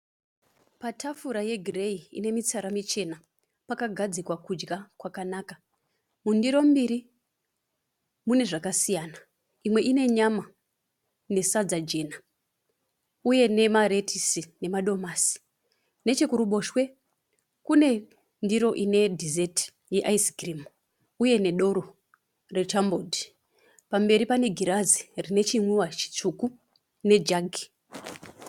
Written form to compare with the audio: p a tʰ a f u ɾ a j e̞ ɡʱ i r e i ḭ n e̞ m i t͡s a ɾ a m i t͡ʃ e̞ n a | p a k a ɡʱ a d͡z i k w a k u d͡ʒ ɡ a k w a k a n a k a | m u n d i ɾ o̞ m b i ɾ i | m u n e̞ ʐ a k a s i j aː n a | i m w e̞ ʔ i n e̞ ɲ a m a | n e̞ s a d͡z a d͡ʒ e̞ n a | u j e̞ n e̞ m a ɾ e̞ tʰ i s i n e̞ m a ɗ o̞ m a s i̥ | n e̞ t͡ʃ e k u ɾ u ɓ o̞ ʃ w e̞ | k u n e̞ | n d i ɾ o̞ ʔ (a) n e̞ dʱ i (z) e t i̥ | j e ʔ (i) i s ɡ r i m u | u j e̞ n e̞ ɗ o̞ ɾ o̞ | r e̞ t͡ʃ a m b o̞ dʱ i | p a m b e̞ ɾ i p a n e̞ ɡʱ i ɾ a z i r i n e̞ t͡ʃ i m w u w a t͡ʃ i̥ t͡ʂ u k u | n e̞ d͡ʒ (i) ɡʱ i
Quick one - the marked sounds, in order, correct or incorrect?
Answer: incorrect: i, correct, incorrect: a, incorrect: a

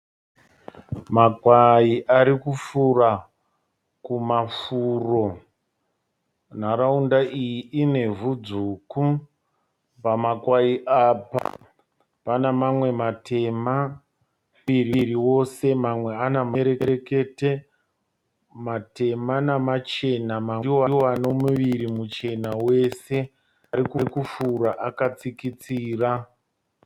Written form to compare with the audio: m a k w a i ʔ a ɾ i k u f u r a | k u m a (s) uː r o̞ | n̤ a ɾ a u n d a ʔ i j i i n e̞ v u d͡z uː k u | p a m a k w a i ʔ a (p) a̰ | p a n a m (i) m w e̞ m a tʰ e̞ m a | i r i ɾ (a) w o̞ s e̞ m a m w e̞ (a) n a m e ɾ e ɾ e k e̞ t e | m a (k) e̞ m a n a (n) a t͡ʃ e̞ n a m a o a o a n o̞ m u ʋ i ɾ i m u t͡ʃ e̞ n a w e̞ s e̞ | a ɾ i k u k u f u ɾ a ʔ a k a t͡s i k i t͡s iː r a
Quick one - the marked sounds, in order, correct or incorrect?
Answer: incorrect: f, correct, incorrect: a, incorrect: i, correct, incorrect: t, incorrect: m

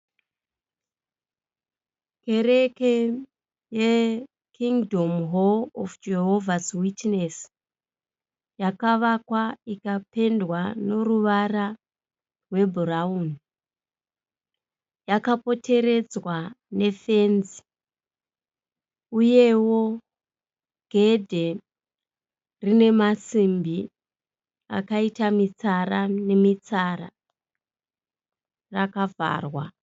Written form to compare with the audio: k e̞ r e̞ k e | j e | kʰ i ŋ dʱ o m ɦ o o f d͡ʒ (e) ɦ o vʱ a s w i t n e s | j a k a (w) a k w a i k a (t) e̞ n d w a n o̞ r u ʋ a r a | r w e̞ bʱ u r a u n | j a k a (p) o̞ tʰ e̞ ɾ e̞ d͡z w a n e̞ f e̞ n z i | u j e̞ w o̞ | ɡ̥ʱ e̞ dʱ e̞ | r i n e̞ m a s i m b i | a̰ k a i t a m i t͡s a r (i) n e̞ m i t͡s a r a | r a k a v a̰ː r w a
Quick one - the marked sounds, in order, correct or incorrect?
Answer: correct, incorrect: ʋ, incorrect: p, correct, incorrect: a

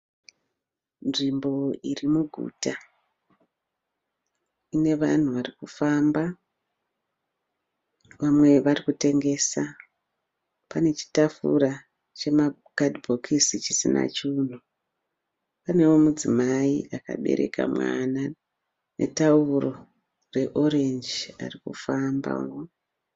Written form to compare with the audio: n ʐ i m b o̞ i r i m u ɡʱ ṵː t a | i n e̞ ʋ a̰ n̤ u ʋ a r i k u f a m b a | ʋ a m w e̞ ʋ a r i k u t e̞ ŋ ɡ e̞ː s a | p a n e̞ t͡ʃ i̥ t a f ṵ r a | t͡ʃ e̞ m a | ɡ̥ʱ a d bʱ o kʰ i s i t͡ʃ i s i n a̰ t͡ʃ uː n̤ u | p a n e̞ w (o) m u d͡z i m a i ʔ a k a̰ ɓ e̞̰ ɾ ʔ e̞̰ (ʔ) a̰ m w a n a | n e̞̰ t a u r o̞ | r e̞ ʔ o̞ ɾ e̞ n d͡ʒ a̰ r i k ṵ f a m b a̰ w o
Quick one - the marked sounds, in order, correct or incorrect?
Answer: correct, incorrect: k

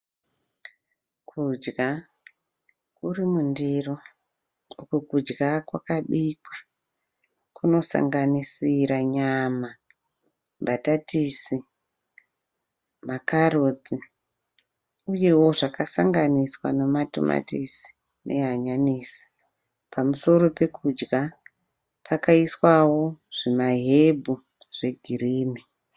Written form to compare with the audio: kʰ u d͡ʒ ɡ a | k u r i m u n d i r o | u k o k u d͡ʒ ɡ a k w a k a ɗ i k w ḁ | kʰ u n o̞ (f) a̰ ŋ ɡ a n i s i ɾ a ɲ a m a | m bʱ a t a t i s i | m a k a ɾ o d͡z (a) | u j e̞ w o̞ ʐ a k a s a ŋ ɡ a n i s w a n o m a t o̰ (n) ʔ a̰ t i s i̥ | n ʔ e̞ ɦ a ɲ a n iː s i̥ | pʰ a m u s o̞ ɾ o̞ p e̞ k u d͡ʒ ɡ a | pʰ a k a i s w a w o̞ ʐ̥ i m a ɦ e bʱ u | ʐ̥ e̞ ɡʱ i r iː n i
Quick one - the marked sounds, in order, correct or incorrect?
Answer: incorrect: s, incorrect: i, incorrect: m

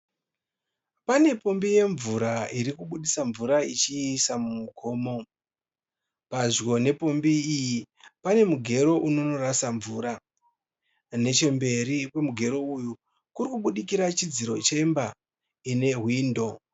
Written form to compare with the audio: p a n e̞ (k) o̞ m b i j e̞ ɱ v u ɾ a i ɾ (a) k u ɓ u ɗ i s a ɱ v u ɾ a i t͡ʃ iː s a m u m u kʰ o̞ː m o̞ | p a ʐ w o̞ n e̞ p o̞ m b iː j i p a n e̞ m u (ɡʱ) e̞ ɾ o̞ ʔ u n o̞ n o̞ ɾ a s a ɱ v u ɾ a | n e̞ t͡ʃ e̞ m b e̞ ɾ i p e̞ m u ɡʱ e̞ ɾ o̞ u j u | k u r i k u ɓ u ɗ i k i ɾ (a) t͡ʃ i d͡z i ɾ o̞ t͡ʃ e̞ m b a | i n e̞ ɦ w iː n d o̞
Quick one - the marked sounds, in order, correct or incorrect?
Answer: incorrect: p, incorrect: i, correct, correct

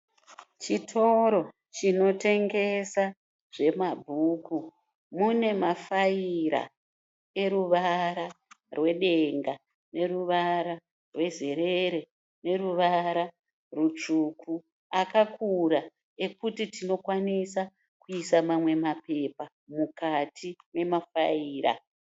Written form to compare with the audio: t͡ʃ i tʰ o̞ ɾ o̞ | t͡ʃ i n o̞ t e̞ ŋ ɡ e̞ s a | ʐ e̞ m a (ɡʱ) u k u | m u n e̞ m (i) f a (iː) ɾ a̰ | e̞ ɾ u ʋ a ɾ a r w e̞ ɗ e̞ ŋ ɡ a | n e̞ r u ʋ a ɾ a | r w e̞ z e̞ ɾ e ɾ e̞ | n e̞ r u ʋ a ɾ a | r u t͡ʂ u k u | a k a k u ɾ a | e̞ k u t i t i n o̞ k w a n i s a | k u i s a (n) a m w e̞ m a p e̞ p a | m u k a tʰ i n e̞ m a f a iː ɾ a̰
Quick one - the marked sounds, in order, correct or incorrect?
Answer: incorrect: bʱ, incorrect: a, incorrect: i, incorrect: m

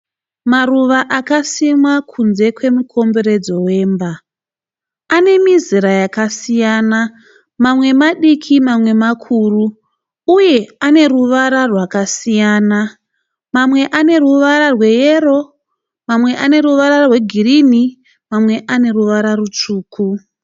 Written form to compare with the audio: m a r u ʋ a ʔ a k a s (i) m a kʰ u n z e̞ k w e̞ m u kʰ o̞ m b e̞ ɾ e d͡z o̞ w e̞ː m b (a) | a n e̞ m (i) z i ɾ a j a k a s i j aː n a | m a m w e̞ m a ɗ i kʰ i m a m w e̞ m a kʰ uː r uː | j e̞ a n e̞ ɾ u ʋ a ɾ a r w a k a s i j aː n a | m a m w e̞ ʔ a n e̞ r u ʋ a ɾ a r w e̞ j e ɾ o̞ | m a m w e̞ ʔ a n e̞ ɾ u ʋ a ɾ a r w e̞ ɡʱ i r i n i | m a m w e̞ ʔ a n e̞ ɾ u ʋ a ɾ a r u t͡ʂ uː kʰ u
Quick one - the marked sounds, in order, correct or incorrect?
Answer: correct, correct, correct

